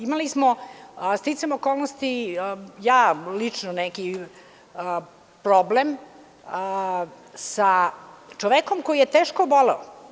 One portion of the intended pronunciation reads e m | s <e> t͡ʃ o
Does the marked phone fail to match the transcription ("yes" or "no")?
yes